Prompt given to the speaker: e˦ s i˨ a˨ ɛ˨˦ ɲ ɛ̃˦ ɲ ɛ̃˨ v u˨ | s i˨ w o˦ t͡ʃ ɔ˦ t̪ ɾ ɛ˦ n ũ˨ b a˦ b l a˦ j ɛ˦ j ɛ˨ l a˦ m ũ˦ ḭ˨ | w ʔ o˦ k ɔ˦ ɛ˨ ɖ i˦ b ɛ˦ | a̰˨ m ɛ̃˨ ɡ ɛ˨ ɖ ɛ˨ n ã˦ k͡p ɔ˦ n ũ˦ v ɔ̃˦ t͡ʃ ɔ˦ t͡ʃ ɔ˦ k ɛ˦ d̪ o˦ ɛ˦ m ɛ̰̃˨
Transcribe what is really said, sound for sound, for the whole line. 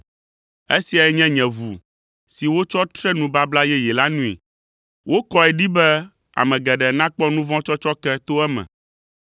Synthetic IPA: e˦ s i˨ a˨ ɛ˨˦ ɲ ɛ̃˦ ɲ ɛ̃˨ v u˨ | s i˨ w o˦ t͡ʃ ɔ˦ t̪ ɾ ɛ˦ n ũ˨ b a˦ b l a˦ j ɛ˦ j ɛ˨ l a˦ n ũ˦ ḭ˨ | w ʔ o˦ k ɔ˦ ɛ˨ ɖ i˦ b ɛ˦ | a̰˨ m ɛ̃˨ ɡ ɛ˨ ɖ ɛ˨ n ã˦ k͡p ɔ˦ n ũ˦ v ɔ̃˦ t͡ʃ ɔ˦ t͡ʃ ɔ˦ k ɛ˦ t̪ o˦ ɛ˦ m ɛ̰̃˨